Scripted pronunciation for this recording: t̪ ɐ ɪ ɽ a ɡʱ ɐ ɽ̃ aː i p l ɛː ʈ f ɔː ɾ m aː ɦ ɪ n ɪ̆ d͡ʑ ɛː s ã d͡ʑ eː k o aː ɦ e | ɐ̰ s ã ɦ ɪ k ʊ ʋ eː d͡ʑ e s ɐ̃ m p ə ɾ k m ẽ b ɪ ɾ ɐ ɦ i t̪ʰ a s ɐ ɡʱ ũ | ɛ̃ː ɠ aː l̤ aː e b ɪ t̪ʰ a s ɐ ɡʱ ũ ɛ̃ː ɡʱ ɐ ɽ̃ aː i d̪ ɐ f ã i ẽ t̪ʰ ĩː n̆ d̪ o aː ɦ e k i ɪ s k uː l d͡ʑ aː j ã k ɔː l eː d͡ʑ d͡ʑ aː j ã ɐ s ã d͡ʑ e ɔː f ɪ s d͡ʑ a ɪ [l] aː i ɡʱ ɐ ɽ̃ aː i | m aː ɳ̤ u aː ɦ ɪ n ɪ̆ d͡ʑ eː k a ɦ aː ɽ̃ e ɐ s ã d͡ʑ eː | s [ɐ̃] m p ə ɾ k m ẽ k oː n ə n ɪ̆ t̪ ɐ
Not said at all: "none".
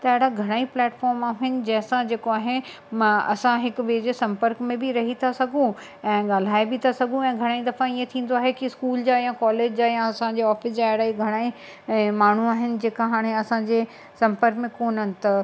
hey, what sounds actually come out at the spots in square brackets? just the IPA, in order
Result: ɽ, ɐ̃

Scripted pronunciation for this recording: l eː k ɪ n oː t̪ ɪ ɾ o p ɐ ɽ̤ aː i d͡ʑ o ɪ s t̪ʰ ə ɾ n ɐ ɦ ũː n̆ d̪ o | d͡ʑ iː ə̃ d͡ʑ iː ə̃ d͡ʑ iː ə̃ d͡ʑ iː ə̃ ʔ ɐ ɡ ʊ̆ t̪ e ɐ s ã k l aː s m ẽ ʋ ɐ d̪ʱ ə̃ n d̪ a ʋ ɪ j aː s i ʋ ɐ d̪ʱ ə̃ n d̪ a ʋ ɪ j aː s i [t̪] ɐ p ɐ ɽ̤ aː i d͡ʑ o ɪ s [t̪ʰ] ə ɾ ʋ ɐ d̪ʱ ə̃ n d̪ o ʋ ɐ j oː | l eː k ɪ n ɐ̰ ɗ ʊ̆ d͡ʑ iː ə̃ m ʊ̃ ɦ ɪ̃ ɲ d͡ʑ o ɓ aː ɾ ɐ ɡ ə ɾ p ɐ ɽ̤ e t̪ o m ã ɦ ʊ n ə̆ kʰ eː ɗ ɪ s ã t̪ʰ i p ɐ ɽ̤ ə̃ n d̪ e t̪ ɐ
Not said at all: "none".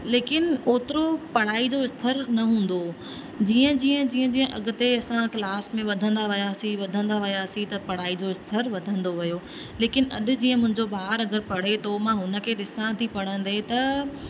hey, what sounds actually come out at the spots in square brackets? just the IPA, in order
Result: t̪, t̪ʰ

